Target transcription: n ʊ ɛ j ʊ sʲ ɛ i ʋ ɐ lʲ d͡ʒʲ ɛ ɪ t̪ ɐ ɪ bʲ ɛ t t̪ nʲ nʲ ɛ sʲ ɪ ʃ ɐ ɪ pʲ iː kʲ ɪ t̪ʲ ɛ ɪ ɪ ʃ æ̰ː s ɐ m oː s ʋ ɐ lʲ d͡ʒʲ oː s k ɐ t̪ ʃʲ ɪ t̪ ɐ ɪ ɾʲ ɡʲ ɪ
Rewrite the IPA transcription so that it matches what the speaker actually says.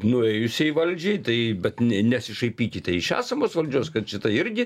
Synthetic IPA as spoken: n ʊ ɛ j ʊ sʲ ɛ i ʋ ɐ lʲ d͡ʒʲ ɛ ɪ t̪ ɐ ɪ bʲ ɛ t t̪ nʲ nʲ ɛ sʲ ɪ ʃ ɐ ɪ pʲ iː kʲ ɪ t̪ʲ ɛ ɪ ɪ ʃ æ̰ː s ɐ m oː s ʋ ɐ lʲ d͡ʒʲ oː s k ɐ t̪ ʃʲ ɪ t̪ ɐ ɪ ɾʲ ɡʲ ɪ